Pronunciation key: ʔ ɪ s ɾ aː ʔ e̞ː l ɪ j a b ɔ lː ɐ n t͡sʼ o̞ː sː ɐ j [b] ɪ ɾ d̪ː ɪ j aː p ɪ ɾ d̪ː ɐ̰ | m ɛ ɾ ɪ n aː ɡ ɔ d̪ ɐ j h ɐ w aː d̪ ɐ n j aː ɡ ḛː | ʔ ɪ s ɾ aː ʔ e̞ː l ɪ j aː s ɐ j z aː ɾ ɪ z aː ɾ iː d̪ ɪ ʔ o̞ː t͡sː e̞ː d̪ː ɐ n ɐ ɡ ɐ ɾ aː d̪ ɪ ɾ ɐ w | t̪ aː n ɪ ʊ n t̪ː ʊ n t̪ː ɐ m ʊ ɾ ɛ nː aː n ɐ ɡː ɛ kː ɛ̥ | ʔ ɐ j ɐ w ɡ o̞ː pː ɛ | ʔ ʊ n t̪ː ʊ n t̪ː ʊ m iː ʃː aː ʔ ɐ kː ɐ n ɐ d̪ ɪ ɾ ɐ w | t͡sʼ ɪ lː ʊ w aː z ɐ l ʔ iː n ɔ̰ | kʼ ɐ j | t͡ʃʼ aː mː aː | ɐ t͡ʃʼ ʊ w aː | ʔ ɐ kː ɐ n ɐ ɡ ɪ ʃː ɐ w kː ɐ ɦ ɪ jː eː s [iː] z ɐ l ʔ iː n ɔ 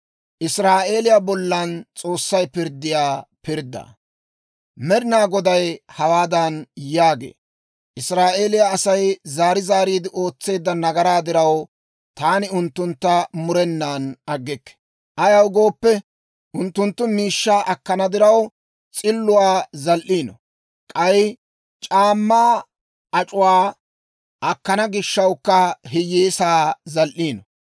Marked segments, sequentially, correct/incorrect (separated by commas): incorrect, incorrect